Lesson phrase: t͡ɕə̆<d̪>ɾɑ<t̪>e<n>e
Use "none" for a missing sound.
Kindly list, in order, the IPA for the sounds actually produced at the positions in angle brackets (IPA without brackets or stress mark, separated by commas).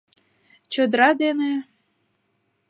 d̪, d̪, n